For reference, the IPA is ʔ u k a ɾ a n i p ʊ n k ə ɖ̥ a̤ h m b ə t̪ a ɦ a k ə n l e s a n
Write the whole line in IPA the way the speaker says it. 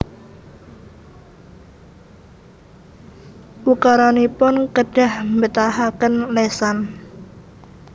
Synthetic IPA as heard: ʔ u k a ɾ a n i p ʊ n k ə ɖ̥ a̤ h m b ə t̪ a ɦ a k ə n l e s a n